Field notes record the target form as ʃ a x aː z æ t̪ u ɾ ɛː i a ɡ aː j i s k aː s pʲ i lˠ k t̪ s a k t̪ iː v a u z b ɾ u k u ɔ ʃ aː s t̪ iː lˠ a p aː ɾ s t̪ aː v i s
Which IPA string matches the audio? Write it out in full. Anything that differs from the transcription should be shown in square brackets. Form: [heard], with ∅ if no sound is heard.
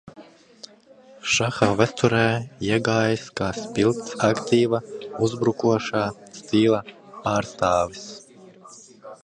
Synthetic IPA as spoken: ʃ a x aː [v] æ t̪ u ɾ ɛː i [ɛ] ɡ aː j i s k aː s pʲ i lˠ k t̪ s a k t̪ iː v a u z b ɾ u k u ɔ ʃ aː s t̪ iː lˠ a p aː ɾ s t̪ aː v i s